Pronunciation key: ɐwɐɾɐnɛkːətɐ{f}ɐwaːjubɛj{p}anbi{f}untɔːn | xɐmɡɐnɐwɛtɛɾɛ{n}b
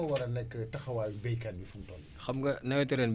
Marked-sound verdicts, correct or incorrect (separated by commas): incorrect, incorrect, correct, correct